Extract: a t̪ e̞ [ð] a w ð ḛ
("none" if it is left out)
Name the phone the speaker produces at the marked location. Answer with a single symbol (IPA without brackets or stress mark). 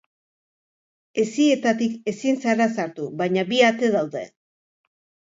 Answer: ð